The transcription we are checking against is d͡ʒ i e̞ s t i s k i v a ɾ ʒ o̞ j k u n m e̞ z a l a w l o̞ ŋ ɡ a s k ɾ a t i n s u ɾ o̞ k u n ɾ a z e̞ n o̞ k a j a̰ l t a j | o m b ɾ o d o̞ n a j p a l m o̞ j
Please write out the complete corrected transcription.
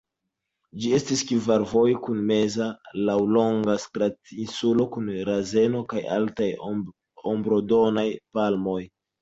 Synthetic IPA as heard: d͡ʒ i e̞ s t i s k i v a ɾ v o̞ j k u n m e̞ z a l a w l o̞ ŋ ɡ a s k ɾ a t i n s u l o̞ k u n ɾ a z e̞ n o̞ k a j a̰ l t a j | o m b ɾ o d o̞ n a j p a l m o̞ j